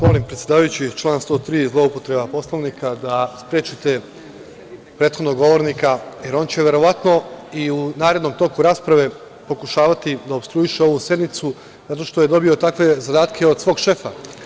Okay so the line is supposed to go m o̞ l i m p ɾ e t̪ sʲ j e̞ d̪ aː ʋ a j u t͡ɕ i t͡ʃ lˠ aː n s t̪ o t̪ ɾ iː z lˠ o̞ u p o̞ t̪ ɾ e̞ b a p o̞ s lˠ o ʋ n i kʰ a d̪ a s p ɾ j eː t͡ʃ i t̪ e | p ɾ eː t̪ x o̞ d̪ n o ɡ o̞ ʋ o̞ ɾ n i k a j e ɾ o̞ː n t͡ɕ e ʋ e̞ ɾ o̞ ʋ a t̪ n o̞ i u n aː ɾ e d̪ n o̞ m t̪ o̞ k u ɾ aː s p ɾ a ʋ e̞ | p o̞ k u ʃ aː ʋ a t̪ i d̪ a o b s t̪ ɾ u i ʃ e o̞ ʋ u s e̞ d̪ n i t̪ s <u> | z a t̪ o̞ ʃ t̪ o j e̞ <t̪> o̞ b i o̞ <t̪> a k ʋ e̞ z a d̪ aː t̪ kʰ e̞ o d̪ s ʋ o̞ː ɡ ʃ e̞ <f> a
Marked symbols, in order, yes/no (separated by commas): yes, no, yes, yes